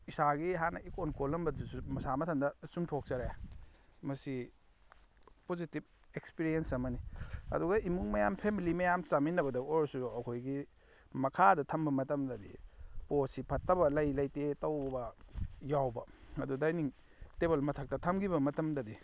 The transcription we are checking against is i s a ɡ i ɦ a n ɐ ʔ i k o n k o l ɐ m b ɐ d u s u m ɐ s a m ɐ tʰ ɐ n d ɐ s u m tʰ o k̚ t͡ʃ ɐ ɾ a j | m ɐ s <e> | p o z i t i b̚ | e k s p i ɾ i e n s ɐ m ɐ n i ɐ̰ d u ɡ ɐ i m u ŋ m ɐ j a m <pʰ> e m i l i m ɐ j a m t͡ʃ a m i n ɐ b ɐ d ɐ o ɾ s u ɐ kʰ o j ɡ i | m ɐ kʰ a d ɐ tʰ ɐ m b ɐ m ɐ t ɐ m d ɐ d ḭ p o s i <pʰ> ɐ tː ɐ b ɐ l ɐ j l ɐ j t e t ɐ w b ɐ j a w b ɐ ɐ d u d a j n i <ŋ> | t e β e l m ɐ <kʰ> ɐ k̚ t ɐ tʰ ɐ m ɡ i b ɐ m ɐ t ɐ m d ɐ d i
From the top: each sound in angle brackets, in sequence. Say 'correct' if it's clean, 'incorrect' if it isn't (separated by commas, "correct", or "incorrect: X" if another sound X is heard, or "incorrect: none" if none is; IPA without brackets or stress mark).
incorrect: i, correct, correct, correct, incorrect: tʰ